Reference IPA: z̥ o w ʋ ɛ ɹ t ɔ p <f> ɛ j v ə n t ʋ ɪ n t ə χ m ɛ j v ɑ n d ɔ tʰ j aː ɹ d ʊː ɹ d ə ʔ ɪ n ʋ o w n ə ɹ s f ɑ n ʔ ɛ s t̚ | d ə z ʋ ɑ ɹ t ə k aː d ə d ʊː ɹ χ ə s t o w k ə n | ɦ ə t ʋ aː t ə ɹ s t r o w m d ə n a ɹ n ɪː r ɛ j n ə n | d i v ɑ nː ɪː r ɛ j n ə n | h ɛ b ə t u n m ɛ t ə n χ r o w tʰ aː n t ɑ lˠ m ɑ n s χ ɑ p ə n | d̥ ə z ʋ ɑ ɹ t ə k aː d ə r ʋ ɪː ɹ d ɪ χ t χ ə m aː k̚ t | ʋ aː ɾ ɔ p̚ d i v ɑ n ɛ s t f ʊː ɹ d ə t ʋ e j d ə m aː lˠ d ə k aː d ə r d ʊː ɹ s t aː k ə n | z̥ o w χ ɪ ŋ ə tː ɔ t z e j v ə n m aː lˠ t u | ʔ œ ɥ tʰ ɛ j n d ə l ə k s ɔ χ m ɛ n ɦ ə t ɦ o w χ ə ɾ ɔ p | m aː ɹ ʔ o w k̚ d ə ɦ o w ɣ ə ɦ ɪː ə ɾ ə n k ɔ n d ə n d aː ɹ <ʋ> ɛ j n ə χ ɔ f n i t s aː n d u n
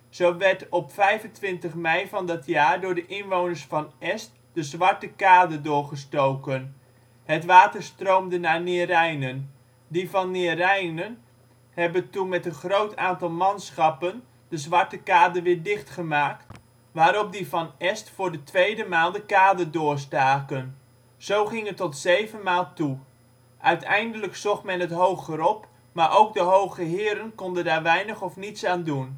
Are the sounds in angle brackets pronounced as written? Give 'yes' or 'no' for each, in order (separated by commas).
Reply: yes, yes